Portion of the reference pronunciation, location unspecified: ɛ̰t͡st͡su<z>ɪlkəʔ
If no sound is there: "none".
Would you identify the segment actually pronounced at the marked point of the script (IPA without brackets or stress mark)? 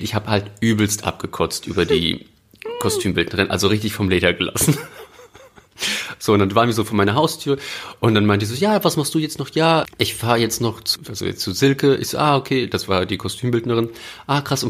z